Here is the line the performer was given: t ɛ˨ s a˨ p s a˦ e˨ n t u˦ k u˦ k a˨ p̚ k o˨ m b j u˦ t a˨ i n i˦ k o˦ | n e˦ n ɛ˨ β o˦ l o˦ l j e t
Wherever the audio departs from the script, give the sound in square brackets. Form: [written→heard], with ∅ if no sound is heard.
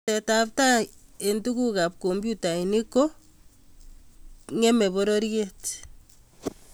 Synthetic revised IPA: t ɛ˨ [s→t] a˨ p [s→t] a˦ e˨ n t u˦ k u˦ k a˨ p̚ k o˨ m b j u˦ t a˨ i n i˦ k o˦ | [n→ŋ] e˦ [n→m] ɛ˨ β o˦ [l→ɾ] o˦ [l→ɾ] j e t